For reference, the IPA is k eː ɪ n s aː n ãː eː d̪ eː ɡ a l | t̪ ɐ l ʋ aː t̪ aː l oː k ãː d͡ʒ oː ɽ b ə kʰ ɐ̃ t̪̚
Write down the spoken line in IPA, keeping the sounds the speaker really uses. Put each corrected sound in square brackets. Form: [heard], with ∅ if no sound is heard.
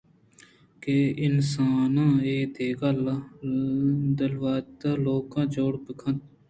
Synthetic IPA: k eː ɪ n s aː n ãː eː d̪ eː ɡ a l | [d̪] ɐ l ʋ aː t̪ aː l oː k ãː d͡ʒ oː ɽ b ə kʰ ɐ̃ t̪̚